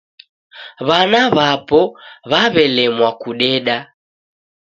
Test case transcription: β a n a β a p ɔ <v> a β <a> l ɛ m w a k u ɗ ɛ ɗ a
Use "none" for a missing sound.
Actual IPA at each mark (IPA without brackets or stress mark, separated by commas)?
β, ɛ